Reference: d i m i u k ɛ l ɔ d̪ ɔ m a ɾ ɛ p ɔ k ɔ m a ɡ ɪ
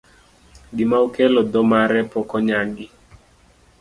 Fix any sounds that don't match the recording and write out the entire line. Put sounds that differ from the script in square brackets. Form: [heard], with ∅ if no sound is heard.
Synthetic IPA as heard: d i m [a] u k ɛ l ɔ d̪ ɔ m a ɾ ɛ p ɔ k ɔ [ɲ] a ɡ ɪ

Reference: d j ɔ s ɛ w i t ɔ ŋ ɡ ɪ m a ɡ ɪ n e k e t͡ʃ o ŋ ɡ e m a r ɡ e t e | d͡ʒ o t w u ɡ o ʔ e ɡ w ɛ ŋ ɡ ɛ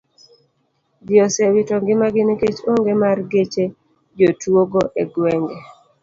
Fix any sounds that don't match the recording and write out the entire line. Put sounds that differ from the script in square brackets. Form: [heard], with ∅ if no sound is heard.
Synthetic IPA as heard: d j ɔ s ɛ w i t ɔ ŋ ɡ ɪ m a ɡ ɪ n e k e t͡ʃ o ŋ ɡ e m a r ɡ e [t͡ʃ] e | d͡ʒ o t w [o] ɡ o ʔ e ɡ w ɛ ŋ ɡ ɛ

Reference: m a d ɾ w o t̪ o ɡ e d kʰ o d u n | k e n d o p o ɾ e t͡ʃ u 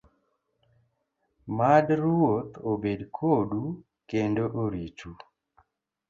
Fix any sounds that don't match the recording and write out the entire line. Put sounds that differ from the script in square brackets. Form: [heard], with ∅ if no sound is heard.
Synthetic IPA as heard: m a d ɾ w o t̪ o [b] e d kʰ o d u [∅] | k e n d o [ʔ] o ɾ [i] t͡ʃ u

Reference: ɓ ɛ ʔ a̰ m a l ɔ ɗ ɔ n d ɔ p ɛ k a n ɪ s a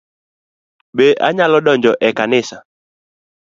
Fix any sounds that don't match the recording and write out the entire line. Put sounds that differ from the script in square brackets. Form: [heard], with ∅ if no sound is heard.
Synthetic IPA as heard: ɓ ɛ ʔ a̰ [ɲ] a l ɔ ɗ ɔ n [d͡ʒ] ɔ [ʔ] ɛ k a n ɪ s a

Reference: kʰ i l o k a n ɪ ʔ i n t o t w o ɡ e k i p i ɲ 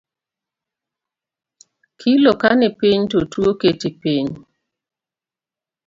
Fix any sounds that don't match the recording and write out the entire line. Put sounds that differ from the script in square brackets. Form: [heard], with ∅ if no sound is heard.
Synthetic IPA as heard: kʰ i l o k a n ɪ [p] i [ɲ] t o t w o [k] e [t] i p i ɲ

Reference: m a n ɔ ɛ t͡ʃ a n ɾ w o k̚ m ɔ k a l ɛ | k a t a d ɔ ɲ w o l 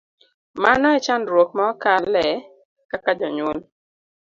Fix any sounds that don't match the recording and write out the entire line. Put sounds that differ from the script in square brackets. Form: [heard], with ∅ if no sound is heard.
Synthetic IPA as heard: m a n ɔ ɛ t͡ʃ a n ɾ w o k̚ m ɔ k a l ɛ | k a [k] a [d͡ʒ] ɔ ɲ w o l

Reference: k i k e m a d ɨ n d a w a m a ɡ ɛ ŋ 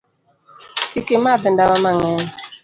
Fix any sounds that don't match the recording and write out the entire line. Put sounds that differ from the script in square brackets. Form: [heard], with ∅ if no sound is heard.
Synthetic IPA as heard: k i k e m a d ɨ n d a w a m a [ŋ] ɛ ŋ

